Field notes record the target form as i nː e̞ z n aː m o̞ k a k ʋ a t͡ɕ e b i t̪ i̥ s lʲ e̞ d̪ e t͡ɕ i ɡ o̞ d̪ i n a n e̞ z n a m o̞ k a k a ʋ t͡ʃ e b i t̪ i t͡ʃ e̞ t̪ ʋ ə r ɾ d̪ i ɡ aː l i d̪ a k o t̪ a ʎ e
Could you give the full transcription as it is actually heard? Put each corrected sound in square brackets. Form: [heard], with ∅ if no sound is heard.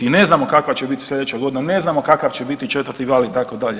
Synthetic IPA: i [n] e̞ z n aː m o̞ k a k ʋ a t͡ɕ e b i t̪ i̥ s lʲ e̞ d̪ e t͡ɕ [a] ɡ o̞ d̪ i n a n e̞ z n a m o̞ k a k a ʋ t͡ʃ e b i t̪ i t͡ʃ e̞ t̪ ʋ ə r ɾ [t̪] i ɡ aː l i [t̪] a k o [d̪] a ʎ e